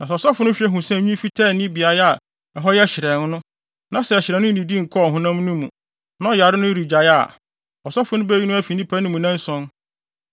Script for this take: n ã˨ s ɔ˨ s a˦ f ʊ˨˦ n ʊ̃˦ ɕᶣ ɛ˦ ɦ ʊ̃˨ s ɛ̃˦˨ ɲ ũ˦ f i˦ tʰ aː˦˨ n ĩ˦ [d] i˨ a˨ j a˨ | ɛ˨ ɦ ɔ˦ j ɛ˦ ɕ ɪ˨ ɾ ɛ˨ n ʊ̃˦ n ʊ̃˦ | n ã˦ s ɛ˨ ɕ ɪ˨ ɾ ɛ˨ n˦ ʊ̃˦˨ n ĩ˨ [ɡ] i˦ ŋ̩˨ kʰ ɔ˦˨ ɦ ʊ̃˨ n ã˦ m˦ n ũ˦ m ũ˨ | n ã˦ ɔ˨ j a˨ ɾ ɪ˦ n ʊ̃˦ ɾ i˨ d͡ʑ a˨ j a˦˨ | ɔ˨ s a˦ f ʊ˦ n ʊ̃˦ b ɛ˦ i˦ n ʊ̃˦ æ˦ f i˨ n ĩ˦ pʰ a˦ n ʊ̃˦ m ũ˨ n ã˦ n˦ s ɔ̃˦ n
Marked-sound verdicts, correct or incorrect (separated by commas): incorrect, incorrect